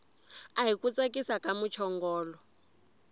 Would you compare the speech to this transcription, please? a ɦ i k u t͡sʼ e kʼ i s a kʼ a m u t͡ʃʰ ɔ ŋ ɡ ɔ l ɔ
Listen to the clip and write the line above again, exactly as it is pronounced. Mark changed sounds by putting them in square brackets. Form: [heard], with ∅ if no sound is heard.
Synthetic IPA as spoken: a ɦ i k u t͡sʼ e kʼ i s a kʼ a m u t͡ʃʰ ɔ ŋ ɡ [ɔː] l ɔ